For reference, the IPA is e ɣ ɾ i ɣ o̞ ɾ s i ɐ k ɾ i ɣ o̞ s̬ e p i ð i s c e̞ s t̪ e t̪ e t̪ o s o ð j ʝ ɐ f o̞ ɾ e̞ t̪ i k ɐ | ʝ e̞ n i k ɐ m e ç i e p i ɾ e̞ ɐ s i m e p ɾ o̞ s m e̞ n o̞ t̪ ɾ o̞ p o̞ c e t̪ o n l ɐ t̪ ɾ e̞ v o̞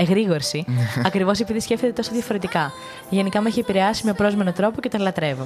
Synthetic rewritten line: e ɣ ɾ i ɣ o̞ ɾ s i ɐ k ɾ i v o̞ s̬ e p i ð i s c e̞ f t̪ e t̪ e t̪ o s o ð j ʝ ɐ f o̞ ɾ e̞ t̪ i k ɐ | ʝ e̞ n i k ɐ m e ç i e p i ɾ e̞ ɐ s i m e p ɾ o̞ z m e̞ n o̞ t̪ ɾ o̞ p o̞ c e t̪ o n l ɐ t̪ ɾ e̞ v o̞